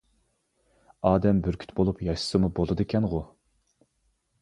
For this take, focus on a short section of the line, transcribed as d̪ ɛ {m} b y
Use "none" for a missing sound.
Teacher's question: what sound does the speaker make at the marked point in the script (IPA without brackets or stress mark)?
m